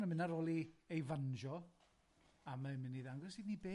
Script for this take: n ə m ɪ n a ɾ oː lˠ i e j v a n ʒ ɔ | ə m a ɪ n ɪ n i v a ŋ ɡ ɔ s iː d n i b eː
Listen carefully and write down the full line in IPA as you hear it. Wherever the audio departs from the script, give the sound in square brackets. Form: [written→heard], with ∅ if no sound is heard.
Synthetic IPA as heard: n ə m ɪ n a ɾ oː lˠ i e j v a n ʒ ɔ | [ə→a] m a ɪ [n→m] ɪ n i [v→ð] a ŋ ɡ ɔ s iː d n i b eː